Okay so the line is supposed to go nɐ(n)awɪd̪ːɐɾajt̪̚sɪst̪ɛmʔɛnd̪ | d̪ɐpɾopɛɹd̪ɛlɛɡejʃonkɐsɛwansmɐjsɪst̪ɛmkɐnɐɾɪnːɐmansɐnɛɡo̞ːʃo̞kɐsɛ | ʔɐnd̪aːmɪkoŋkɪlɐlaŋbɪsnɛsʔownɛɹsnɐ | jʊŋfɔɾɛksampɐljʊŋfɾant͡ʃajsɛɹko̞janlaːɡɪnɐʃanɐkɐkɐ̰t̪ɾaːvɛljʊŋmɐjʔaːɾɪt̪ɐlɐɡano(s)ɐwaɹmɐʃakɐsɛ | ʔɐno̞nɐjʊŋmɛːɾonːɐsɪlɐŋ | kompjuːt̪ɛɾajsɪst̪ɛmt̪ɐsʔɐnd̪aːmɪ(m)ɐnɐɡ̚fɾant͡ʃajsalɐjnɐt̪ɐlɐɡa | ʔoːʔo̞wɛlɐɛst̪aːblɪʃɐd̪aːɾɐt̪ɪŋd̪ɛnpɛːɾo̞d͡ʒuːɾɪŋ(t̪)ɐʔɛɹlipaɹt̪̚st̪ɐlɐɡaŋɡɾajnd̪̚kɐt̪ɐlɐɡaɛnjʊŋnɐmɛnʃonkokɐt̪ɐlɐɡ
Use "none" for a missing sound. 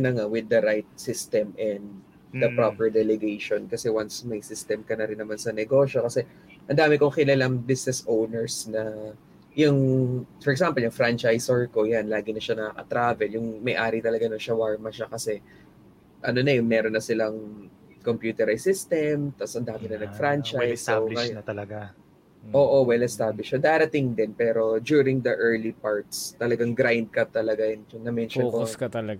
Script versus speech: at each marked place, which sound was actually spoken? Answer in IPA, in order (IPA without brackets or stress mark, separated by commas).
ŋ, ʃ, n, d̪